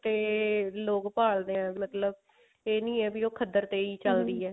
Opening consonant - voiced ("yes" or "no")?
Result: no